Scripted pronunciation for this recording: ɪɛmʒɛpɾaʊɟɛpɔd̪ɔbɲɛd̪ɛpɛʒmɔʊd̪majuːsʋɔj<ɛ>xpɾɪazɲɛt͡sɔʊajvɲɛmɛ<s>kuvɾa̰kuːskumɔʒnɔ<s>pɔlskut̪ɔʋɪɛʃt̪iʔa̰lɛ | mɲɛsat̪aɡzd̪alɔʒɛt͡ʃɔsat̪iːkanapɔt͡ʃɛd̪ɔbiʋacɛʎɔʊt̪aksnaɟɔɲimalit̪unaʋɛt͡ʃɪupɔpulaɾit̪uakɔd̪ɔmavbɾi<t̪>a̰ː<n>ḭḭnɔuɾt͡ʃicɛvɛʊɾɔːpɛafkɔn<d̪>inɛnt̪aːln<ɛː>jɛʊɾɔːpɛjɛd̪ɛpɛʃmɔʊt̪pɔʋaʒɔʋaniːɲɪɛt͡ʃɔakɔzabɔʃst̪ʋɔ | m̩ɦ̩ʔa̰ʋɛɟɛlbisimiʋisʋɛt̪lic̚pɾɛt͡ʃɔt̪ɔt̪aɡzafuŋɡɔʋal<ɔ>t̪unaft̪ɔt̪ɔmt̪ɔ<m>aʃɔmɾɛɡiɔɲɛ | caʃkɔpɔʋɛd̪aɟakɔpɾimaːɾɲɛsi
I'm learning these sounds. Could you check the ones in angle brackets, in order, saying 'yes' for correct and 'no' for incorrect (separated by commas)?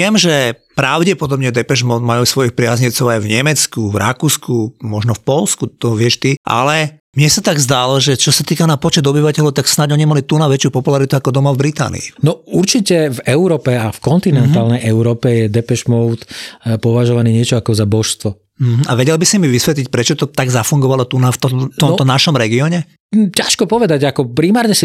no, no, no, yes, yes, no, no, yes, no